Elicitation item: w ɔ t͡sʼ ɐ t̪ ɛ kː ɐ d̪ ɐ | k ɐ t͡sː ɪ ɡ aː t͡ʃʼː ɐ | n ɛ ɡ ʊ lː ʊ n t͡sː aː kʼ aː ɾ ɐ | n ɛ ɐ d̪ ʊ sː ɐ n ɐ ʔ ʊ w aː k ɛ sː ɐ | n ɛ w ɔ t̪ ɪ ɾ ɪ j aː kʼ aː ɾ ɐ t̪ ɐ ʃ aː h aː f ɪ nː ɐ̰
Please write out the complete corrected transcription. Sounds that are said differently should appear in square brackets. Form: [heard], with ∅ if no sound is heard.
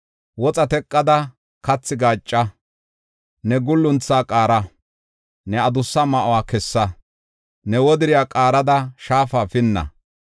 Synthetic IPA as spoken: w ɔ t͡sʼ ɐ t̪ ɛ [kʼː] ɐ d̪ ɐ | k ɐ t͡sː ɪ ɡ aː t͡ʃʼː ɐ | n ɛ ɡ ʊ lː ʊ n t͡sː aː kʼ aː ɾ ɐ | n ɛ ɐ d̪ ʊ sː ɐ [m] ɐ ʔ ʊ w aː k ɛ sː ɐ | n ɛ w ɔ [d̪] ɪ ɾ ɪ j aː kʼ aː ɾ ɐ [d̪] ɐ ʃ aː [f] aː f ɪ nː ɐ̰